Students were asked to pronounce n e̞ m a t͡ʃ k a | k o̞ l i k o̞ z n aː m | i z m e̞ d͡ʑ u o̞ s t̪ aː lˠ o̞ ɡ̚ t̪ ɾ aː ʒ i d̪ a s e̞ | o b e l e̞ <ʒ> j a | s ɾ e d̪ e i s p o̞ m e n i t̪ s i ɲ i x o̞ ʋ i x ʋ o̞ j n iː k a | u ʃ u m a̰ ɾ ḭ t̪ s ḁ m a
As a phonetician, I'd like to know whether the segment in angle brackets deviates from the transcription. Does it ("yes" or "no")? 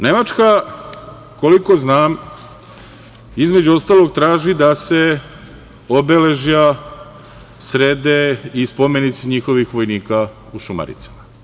no